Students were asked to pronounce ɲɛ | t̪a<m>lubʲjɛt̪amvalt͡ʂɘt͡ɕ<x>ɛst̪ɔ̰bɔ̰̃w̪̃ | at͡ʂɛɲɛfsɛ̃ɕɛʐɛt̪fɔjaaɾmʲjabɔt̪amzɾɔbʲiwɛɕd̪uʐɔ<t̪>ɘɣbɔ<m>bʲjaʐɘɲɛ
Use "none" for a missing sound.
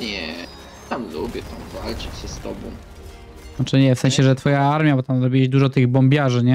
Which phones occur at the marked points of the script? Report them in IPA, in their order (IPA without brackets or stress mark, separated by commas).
m, ɕ, t̪, m